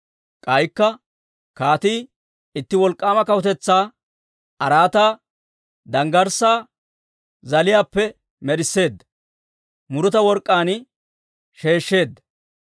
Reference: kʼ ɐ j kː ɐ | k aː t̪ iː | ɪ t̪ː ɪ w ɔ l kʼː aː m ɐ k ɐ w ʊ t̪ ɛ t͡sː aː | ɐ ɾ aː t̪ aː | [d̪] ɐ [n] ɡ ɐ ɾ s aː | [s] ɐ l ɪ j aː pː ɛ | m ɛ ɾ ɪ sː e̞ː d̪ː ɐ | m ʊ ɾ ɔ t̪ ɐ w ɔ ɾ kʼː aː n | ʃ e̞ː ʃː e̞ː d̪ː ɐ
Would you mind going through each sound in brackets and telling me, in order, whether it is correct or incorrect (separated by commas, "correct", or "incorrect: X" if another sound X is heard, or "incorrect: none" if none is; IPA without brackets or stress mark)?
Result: correct, incorrect: ŋ, incorrect: z